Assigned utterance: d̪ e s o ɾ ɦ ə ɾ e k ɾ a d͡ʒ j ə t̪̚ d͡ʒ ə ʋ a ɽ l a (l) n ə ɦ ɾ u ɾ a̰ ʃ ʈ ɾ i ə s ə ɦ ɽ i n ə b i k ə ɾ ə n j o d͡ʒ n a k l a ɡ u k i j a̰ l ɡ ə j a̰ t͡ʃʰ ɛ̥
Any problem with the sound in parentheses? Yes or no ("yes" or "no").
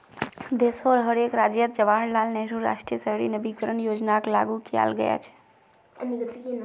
no